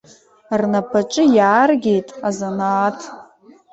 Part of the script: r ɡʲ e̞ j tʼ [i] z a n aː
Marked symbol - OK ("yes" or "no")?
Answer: no